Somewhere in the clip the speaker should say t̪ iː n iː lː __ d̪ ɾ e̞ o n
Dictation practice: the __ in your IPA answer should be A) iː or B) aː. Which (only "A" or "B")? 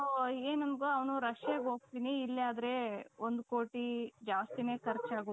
B